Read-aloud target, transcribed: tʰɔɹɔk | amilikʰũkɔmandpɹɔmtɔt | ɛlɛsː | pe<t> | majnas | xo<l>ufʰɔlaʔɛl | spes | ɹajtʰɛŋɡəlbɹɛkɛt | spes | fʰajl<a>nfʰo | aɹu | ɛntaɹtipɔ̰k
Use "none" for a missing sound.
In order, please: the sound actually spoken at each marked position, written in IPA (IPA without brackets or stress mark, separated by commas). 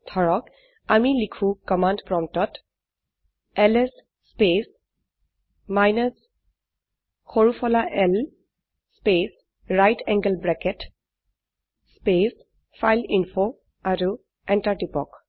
s, ɹ, i